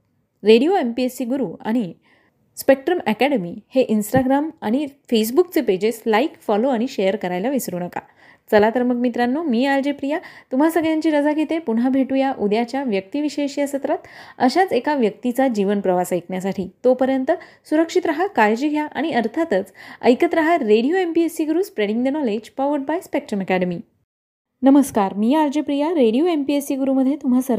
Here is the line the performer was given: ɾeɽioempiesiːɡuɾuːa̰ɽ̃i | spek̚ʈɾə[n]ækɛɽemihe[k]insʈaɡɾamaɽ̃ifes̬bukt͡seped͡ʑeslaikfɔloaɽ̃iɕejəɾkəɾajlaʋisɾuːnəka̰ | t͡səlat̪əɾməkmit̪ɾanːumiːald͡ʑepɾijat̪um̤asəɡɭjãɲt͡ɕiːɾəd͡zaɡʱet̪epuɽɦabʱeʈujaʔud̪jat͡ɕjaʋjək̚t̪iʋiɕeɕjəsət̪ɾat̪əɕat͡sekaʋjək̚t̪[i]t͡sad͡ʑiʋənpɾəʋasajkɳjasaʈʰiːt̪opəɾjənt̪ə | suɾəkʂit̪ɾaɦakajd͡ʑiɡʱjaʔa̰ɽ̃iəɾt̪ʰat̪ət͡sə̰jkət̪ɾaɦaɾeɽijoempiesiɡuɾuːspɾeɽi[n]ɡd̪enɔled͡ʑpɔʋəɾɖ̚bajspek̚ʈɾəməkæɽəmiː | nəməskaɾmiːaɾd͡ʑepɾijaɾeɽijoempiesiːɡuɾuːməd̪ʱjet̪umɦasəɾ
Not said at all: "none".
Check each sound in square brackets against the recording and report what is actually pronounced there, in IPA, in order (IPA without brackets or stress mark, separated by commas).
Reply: m, ʔ, i, ŋ